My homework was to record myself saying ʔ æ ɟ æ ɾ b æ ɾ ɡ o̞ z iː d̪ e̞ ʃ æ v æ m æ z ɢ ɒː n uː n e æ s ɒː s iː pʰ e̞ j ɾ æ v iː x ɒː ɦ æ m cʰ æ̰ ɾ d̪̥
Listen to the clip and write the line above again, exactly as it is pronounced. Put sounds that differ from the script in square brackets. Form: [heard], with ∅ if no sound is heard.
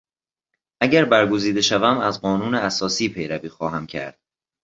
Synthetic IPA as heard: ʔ æ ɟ æ ɾ b æ ɾ ɡ o̞ z iː d̪ e̞ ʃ æ v æ m æ z ɢ ɒː n uː n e æ s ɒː s iː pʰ e̞ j ɾ æ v iː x ɒː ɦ æ m cʰ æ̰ ɾ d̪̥